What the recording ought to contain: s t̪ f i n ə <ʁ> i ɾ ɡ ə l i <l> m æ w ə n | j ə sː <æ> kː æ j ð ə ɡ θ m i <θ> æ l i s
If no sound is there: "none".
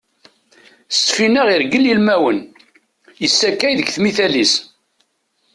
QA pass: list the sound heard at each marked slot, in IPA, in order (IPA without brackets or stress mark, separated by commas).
ʁ, l, æ, θ